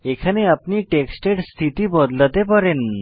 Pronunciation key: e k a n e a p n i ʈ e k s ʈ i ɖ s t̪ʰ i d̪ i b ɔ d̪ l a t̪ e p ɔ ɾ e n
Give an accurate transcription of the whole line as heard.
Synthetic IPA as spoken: e kʰ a n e a p n i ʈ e k s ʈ e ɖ s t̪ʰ i t̪ i b ɔ d̪ l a t̪ e p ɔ ɾ e n

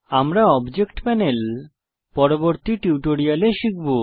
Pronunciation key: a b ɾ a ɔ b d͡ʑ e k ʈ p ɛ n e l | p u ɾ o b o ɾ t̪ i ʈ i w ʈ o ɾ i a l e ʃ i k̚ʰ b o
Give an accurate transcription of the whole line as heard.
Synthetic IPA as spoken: a m ɾ a ɔ b d͡ʑ e k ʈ p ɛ n e l | p ɔ ɾ o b o ɾ t̪ i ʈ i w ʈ o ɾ i a l e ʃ i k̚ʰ b o

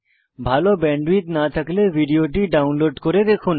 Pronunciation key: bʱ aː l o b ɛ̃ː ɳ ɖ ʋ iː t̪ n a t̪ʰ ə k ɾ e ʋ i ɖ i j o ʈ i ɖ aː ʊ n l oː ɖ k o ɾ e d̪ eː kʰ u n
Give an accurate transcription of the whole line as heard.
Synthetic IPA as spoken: bʱ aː l o b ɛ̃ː ɳ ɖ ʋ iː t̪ n a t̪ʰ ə k l e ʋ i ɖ i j o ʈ i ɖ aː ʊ n l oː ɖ k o ɾ e d̪ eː kʰ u n

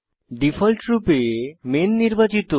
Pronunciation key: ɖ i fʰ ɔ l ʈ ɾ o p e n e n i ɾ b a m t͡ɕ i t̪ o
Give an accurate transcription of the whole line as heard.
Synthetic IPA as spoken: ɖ i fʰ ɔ l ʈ ɾ u p e m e nː i ɾ b a t͡ɕ i t̪ o

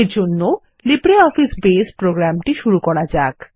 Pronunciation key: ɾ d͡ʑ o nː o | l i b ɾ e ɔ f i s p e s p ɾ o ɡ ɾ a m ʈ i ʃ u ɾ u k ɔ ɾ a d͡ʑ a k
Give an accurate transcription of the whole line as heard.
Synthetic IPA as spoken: ɾ d͡ʑ o nː o | l i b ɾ e ɔ f i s b e s p ɾ o ɡ ɾ a m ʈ i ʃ u ɾ u k ɔ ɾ a d͡ʑ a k

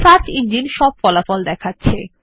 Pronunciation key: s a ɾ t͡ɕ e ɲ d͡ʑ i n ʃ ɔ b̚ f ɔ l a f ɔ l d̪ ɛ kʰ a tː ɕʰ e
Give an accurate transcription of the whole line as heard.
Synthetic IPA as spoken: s a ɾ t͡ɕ i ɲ d͡ʑ i n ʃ ɔ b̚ f ɔ l a f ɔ l d̪ ɛ kʰ a tː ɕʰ e

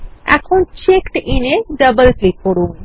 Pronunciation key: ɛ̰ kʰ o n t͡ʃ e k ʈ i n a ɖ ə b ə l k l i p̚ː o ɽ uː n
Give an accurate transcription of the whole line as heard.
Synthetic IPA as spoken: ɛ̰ kʰ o n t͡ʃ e k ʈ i n e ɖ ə b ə l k l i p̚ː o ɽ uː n

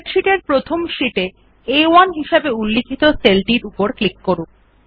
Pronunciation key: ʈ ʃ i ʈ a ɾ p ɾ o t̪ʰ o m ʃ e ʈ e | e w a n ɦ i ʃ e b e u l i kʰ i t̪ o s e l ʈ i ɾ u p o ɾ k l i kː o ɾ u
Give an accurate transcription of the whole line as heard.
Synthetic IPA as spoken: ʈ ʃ i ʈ e ɾ p ɾ o t̪ʰ o m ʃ i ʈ e | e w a n ɦ i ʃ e b e u lː i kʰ i t̪ o s e l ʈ i ɾ u p o ɾ k l i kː o ɾ u

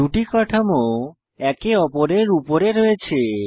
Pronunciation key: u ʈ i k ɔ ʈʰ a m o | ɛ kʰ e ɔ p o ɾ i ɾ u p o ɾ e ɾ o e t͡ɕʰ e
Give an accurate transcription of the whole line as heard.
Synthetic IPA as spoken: u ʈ i k ɔ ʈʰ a m o | ɛ k e ɔ p o ɾ e ɾ u p o ɾ e ɾ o e t͡ɕʰ e

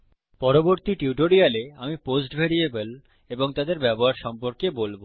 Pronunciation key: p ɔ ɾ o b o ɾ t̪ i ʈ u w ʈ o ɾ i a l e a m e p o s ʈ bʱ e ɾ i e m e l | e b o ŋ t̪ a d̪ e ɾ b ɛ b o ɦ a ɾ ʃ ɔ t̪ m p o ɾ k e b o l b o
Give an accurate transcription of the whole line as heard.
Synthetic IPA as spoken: p ɔ ɾ o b o ɾ t̪ i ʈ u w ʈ o ɾ i a l e a m i p o s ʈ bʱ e ɾ i e b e l | e b o ŋ t̪ a d̪ e ɾ b ɛ b o ɦ a ɾ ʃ ɔ m p o ɾ k e b o l b o

